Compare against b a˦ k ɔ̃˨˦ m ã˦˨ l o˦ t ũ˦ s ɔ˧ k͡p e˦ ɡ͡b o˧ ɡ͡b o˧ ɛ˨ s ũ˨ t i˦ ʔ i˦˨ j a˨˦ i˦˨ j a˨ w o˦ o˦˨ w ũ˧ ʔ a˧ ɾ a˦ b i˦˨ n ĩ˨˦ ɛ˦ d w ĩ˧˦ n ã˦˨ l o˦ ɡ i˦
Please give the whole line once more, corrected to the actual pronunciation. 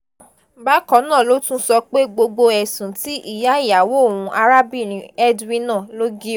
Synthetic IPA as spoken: b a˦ k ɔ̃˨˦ n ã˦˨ l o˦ t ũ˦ s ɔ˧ k͡p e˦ ɡ͡b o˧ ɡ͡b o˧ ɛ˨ s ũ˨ t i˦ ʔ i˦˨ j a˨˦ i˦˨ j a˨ w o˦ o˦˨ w ũ˧ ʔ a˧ ɾ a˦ b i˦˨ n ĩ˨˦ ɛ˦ d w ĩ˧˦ n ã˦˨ l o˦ ɡ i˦

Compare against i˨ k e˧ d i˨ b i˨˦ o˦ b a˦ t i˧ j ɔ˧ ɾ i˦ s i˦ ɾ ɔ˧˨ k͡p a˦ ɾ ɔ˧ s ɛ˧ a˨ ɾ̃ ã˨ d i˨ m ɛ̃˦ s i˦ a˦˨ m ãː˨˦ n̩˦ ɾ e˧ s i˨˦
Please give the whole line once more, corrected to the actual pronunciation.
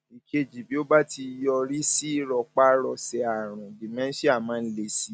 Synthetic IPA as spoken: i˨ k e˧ d͡ʒ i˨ b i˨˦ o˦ b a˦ t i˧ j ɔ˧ ɾ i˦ s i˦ ɾ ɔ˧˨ k͡p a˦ ɾ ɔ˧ s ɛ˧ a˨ ɾ̃ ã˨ d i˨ m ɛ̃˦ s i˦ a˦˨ m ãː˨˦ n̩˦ l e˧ s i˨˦

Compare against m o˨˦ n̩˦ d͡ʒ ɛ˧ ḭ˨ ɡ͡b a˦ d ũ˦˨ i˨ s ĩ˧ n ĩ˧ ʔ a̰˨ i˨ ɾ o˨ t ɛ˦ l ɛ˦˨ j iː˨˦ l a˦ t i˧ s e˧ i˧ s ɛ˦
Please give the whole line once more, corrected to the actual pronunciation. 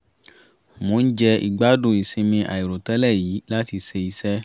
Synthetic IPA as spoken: m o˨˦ n̩˦ d͡ʒ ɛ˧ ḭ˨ ɡ͡b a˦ d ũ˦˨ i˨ s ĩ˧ m ĩ˧ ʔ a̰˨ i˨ ɾ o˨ t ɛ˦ l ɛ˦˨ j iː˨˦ l a˦ t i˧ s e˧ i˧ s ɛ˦

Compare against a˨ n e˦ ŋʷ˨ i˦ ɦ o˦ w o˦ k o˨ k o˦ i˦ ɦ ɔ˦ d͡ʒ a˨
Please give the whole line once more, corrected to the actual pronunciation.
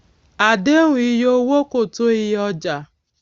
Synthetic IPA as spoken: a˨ d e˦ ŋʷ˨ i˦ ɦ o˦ w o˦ k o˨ t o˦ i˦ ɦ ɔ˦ d͡ʒ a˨

